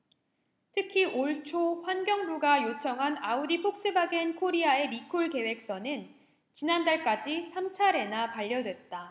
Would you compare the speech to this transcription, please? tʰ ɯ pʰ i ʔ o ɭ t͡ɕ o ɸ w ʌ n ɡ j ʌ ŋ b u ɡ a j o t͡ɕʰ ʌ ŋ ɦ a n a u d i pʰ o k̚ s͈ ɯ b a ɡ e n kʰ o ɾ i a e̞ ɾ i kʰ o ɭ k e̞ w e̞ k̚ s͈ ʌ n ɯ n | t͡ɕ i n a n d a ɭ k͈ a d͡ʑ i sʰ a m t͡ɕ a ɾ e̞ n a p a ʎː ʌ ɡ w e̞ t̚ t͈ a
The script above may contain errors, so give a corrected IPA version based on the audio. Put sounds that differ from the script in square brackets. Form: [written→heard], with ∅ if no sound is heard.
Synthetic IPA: tʰ ɯ [pʰ→kʰ] i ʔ o ɭ [t͡ɕ→t͡ɕʰ] o ɸ w [ʌ→a] n ɡ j ʌ ŋ b u ɡ a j o t͡ɕʰ ʌ ŋ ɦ a n a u d i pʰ o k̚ s͈ ɯ b a ɡ e n kʰ o ɾ i a e̞ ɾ i kʰ o ɭ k e̞ w e̞ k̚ s͈ ʌ n ɯ n | t͡ɕ i n a n d a ɭ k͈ a d͡ʑ i sʰ a m [t͡ɕ→t͡ɕʰ] a ɾ e̞ n a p a ʎː ʌ [ɡ→d] w e̞ t̚ t͈ a